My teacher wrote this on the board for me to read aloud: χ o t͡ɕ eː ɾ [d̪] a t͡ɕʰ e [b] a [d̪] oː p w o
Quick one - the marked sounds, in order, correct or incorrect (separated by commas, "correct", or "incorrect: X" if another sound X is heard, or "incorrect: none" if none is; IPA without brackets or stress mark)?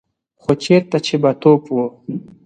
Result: incorrect: t̪, correct, incorrect: t̪